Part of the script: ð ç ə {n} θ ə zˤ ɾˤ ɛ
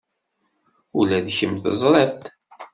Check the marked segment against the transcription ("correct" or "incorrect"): incorrect